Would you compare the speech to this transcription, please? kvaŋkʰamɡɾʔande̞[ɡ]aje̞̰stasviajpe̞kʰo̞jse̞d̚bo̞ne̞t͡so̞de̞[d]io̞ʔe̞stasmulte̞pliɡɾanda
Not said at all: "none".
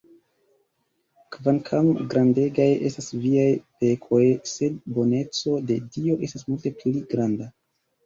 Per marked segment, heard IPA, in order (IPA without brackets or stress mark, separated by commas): ɡ, d